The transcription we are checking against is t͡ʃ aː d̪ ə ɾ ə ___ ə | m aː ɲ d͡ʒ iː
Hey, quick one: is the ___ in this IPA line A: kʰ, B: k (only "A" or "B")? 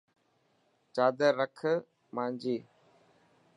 A